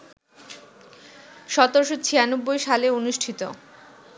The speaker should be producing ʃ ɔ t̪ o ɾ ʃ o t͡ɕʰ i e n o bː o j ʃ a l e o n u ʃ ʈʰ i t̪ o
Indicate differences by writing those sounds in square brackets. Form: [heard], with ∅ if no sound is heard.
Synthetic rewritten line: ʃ ɔ t̪ o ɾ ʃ o t͡ɕʰ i [a] n o bː o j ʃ a l e o n u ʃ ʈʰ i t̪ o